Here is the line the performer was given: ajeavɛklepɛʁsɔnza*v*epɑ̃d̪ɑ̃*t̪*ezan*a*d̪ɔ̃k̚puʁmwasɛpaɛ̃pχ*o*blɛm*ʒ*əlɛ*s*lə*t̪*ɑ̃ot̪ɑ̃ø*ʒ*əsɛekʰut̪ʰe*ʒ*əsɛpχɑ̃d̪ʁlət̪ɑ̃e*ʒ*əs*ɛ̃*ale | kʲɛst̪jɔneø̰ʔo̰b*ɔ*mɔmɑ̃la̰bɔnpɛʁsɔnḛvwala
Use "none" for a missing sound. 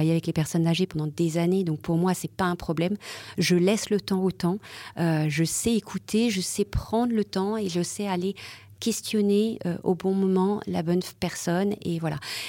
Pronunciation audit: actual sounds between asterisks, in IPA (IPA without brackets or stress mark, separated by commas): ʒ, d̪, e, ɔ, ʒ, s, t̪, ʒ, ʒ, ʒ, ɛ, ɔ̃